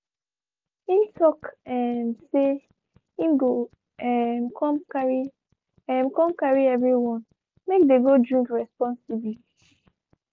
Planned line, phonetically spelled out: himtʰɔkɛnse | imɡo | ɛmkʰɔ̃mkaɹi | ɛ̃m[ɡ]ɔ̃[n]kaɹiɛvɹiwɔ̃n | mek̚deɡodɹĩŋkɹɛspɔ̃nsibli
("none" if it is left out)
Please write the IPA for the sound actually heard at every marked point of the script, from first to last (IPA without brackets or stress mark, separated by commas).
k, m